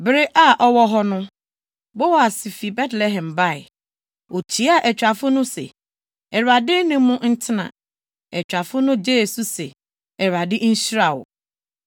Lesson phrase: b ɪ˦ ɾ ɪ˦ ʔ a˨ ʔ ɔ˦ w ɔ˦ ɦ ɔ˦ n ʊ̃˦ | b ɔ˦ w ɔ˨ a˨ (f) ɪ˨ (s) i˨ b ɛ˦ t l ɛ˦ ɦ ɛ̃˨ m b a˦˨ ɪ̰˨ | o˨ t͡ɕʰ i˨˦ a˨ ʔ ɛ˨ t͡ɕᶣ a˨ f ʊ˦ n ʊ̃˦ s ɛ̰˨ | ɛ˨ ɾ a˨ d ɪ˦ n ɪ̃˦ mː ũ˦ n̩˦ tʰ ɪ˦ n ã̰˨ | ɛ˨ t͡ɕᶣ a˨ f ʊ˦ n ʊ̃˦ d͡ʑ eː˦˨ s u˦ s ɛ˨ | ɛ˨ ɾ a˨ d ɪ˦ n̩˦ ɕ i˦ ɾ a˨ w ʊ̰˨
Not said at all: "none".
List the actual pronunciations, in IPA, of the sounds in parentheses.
s, f

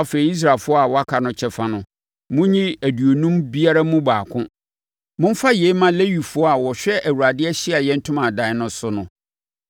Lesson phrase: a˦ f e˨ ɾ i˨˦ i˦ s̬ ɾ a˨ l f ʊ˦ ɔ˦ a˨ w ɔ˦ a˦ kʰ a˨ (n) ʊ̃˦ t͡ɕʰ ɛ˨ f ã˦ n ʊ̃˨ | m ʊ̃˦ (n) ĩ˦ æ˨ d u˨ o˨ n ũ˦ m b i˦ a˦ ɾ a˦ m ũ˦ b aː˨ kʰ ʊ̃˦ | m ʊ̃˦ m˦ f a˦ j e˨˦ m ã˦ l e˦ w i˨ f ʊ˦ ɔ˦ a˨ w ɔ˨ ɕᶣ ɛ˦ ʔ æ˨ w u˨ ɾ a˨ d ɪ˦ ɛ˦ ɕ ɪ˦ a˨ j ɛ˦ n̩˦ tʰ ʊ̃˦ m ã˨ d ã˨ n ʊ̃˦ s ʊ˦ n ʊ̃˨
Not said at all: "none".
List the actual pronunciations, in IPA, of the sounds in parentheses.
n, ɲ

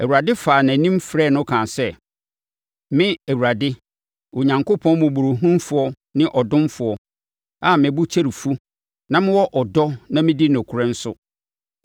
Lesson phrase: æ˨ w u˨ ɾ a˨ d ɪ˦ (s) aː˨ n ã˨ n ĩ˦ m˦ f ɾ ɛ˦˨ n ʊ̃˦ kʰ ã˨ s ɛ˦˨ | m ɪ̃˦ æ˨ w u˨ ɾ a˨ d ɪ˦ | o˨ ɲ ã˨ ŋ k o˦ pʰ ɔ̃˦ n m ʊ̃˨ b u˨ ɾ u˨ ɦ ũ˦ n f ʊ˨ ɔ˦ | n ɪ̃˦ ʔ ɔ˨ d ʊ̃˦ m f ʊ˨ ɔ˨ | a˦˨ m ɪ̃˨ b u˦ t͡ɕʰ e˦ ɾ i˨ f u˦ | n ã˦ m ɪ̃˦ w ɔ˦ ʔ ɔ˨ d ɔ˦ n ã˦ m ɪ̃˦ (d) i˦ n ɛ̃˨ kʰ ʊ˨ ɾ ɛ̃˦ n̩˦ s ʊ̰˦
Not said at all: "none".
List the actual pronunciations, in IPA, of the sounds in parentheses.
f, d

